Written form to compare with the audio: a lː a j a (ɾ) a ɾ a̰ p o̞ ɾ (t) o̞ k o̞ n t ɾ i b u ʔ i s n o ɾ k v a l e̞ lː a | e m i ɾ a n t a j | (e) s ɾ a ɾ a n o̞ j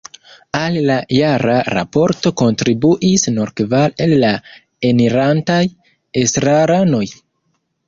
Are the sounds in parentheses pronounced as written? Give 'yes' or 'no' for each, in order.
yes, yes, yes

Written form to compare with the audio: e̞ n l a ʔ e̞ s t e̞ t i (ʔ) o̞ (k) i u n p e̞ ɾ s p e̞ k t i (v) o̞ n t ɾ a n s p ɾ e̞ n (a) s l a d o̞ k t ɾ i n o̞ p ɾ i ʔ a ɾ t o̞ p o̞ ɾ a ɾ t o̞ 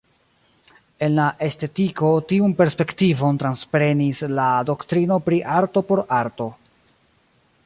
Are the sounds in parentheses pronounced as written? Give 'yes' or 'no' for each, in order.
no, no, yes, no

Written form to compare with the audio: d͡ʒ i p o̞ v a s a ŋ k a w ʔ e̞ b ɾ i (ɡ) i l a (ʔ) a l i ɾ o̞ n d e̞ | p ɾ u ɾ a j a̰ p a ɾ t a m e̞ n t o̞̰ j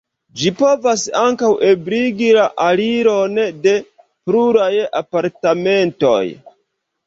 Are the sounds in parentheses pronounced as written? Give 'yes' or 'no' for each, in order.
yes, yes

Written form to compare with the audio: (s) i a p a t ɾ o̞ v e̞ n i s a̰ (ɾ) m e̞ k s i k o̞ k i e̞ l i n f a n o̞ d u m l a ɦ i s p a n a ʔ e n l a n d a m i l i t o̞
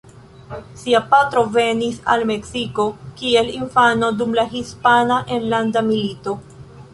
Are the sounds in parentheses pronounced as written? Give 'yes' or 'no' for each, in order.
yes, no

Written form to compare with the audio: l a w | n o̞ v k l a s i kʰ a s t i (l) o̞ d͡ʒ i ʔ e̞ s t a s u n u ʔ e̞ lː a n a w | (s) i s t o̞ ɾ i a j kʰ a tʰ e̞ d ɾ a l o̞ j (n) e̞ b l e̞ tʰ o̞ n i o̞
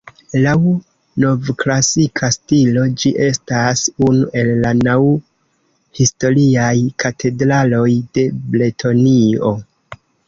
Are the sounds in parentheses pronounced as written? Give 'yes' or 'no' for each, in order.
yes, no, no

